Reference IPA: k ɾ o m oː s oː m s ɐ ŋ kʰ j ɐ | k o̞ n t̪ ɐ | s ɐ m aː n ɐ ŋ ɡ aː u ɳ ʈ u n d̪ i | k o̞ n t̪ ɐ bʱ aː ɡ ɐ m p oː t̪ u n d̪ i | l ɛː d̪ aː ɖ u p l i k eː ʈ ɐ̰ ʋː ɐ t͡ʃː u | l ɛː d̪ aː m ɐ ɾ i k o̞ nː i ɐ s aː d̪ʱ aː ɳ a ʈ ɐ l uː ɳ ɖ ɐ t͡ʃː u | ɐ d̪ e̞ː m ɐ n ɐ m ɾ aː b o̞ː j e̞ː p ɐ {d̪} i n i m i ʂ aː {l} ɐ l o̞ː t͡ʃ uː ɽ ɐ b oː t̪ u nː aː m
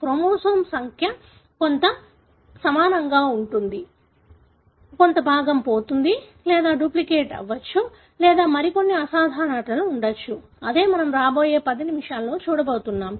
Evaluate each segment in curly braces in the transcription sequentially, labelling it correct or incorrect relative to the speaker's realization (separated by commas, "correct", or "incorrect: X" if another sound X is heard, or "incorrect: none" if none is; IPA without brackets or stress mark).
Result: correct, correct